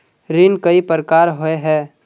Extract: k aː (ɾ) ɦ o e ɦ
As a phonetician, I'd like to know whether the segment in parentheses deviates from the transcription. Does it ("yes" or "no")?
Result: no